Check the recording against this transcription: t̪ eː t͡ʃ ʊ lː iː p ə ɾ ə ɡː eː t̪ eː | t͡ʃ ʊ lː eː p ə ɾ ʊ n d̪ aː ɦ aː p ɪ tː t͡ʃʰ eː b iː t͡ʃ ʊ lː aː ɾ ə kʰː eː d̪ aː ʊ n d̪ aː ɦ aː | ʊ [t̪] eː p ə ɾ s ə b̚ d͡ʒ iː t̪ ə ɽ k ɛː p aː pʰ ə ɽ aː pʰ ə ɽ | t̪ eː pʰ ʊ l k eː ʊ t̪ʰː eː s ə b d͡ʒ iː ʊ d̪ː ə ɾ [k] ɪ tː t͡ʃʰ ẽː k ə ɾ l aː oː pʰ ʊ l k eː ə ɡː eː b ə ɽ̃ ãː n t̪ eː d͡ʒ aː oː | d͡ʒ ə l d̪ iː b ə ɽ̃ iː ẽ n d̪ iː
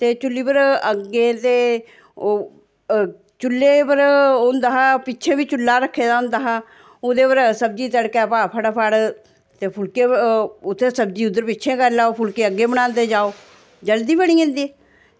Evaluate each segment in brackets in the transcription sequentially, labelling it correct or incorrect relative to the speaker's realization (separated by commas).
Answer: incorrect, incorrect